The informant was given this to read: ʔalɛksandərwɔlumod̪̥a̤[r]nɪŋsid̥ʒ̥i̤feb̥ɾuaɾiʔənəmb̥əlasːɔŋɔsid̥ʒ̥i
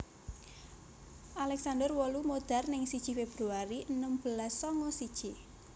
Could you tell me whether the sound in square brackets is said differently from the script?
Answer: no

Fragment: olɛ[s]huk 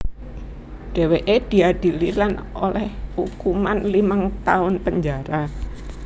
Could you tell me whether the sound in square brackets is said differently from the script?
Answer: yes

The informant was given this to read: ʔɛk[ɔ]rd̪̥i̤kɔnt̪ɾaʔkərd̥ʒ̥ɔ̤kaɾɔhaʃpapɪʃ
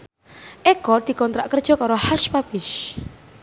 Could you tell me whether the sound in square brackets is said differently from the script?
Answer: no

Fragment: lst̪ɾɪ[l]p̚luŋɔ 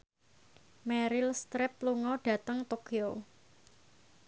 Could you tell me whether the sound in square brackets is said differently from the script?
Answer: yes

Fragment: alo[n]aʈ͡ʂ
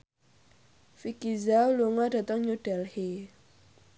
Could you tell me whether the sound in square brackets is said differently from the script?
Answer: yes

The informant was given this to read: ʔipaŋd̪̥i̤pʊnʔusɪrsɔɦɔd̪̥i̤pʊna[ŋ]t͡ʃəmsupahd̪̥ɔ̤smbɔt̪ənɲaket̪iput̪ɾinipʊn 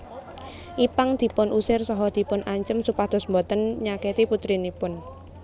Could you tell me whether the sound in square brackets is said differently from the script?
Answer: yes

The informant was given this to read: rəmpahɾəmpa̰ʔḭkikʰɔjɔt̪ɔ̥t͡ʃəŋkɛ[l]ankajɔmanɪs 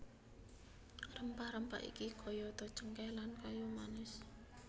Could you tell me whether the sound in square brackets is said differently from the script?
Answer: no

